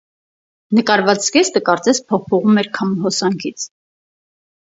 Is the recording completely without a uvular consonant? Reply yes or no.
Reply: no